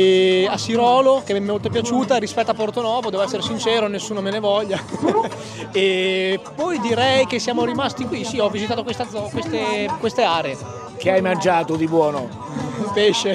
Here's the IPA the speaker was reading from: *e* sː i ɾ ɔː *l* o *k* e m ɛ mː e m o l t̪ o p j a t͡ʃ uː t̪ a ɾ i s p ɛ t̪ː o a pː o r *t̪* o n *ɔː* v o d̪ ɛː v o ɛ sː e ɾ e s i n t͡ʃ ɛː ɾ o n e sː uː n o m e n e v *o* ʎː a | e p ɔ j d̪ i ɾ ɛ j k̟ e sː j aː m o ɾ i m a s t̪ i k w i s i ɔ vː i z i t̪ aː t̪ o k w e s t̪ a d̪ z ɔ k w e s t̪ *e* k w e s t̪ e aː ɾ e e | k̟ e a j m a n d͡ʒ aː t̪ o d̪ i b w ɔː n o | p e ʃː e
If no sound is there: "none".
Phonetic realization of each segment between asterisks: a, l, k, t̪, ɔː, ɔ, e

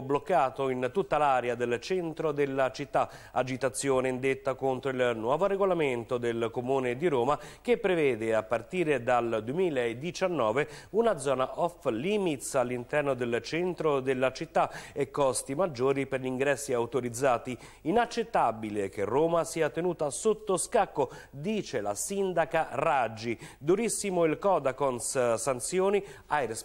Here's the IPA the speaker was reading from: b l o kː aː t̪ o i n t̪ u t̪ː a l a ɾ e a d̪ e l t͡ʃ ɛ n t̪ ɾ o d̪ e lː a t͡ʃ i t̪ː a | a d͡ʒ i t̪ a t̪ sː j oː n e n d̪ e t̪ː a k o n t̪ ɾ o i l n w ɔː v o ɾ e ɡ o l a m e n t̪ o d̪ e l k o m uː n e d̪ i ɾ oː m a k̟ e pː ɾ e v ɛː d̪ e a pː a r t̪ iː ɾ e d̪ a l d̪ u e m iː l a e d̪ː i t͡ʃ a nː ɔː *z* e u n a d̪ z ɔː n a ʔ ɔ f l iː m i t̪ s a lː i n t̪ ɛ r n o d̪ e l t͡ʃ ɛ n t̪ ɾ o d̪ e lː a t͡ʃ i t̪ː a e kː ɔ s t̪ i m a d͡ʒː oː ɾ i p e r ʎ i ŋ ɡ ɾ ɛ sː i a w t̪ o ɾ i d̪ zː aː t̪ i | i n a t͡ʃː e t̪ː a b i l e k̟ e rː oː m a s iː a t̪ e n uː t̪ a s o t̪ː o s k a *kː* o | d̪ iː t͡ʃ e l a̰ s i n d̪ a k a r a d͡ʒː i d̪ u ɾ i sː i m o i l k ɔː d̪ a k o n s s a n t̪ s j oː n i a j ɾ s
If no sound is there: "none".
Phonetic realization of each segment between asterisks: v, kː

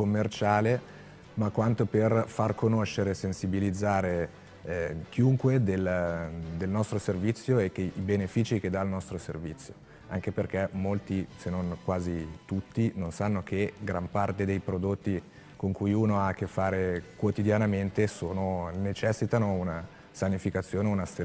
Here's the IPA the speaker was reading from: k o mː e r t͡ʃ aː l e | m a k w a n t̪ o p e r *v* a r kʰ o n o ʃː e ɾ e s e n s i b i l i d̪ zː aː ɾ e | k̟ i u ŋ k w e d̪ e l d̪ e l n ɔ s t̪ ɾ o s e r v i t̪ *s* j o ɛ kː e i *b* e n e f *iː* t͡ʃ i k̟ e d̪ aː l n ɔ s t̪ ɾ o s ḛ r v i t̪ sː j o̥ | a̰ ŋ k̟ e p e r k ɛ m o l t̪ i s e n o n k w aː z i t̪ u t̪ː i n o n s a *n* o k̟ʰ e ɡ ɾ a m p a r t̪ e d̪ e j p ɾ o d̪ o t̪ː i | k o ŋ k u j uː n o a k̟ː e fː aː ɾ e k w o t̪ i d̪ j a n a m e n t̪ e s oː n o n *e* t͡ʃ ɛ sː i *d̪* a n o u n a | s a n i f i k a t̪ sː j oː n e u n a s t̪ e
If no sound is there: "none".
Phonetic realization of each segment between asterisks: f, sː, b, iː, nː, e, t̪

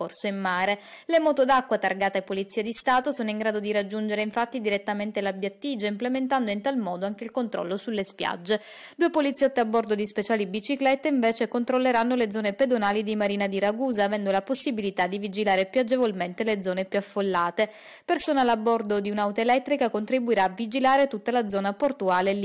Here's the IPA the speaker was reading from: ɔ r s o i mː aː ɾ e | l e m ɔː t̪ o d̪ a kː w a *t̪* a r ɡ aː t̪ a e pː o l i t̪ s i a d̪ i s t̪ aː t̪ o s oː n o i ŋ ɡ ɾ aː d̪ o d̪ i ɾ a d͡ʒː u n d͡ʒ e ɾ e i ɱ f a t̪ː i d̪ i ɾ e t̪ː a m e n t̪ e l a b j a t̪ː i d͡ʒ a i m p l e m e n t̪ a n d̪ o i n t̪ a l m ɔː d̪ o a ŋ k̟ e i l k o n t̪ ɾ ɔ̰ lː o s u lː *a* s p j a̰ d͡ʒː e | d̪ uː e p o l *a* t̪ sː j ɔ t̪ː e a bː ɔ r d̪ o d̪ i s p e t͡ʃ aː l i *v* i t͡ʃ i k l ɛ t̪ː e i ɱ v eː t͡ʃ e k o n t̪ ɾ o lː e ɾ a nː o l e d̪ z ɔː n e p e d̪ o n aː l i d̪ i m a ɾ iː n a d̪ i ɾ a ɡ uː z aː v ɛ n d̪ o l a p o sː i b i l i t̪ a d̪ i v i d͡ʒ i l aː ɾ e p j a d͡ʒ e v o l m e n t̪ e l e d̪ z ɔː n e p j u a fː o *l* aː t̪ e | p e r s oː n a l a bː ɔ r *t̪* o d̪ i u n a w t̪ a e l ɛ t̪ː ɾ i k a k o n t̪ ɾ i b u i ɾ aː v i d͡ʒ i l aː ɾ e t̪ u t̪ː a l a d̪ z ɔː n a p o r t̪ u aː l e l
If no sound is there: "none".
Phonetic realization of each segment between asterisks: t̪, e, i, b, lː, d̪

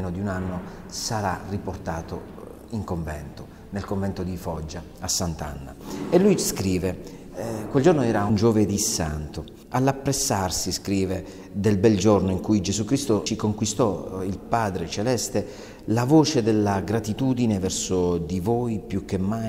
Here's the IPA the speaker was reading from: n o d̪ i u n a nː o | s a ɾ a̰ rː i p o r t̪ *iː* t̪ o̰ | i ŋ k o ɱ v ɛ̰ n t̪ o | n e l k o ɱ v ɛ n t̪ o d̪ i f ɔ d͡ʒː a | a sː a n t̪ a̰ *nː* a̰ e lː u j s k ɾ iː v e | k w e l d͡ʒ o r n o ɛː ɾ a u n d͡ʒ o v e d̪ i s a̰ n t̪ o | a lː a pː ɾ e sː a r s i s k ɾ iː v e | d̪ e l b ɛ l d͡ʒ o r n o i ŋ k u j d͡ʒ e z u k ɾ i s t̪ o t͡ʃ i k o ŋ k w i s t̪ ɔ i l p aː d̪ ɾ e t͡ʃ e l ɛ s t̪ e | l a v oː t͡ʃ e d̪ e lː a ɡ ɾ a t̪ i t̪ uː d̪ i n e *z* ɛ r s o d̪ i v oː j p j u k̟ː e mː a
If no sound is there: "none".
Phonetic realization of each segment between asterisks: aː, nː, v

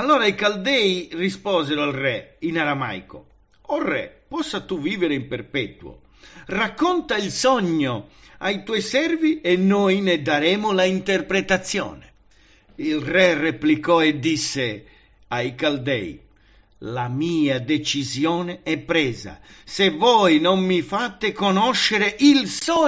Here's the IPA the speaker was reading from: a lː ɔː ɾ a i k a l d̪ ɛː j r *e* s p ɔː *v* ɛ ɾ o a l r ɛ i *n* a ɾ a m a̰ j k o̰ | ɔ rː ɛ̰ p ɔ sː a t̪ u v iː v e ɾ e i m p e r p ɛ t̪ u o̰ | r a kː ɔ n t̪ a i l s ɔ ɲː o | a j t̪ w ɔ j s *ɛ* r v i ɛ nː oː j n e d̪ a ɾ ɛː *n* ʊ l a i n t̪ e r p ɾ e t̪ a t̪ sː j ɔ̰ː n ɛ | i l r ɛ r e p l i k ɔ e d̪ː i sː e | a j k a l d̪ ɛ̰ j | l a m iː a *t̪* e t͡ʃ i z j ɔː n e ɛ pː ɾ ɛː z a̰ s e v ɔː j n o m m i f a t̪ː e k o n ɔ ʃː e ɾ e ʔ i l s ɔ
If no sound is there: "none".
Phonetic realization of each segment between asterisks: i, z, n, ɛ, m, d̪

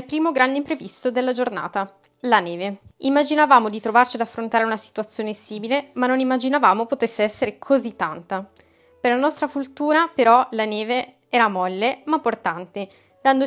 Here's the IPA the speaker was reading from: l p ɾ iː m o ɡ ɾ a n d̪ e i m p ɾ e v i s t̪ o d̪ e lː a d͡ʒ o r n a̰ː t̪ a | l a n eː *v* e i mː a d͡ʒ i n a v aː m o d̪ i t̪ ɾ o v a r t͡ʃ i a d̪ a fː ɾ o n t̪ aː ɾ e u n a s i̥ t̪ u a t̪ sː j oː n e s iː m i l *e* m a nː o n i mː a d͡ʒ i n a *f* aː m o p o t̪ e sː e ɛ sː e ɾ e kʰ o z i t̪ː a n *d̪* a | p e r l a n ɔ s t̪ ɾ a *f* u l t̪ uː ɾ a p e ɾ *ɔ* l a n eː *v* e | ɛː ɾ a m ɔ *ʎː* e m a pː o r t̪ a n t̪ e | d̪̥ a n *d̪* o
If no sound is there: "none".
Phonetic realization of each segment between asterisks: v, e, v, t̪, f, ɔ, v, lː, d̪

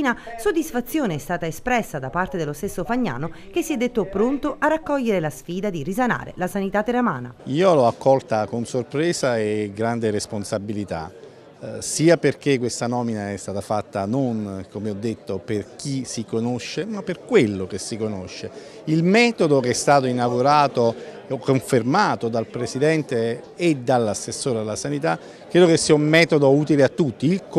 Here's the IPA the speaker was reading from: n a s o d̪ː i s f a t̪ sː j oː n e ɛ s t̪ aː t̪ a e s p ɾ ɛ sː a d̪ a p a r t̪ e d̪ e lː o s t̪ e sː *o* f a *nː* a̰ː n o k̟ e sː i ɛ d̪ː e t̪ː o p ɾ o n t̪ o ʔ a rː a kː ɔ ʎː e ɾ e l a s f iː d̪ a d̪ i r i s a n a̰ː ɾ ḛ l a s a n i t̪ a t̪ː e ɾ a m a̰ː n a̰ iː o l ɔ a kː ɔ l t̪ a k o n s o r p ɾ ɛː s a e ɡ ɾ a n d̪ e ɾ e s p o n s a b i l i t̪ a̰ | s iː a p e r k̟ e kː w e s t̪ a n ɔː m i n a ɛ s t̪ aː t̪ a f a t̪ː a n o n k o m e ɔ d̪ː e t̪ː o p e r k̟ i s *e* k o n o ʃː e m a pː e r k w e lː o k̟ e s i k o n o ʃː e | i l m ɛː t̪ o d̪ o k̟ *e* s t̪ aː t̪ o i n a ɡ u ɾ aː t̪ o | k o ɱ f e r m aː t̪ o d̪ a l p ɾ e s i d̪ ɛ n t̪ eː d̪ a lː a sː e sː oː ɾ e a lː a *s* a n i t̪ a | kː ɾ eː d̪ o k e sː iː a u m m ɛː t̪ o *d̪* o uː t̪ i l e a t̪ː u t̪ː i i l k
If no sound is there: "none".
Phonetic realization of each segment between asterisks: o, ɲː, i, ɛ, s, d̪

